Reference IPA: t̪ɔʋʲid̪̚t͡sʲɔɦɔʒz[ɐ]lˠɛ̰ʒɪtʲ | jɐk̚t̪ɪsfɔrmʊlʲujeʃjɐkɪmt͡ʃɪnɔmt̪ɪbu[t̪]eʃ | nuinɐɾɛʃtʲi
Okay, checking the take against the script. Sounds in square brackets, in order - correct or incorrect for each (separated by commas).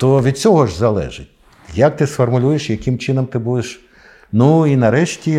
correct, incorrect